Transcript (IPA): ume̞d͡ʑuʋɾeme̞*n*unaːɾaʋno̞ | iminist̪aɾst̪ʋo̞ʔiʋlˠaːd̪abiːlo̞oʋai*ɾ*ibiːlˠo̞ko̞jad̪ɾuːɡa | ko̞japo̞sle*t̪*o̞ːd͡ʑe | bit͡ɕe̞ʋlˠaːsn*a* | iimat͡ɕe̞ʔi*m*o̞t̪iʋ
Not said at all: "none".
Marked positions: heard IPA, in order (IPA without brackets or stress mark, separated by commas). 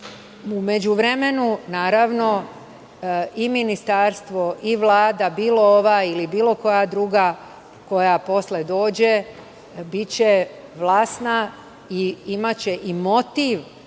n, l, d̪, a, m